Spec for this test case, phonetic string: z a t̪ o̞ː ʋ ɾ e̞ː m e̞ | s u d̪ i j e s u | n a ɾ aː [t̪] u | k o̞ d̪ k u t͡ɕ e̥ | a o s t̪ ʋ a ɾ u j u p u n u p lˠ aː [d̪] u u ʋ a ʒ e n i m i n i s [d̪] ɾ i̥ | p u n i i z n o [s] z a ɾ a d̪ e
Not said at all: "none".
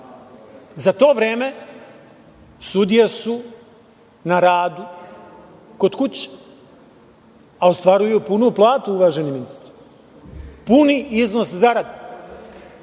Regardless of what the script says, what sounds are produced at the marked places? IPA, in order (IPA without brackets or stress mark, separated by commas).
d̪, t̪, t̪, s